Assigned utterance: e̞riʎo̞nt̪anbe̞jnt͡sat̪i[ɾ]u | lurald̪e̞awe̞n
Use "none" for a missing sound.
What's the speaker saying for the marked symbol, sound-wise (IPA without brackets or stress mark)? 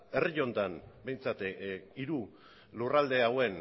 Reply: ɾ